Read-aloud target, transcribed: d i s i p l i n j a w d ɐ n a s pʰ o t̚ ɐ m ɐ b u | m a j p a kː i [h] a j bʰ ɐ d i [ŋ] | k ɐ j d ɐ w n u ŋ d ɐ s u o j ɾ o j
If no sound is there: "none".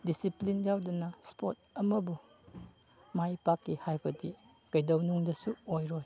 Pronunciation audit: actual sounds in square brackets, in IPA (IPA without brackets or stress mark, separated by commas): h, none